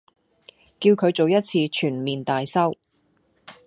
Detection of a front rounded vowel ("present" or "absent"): present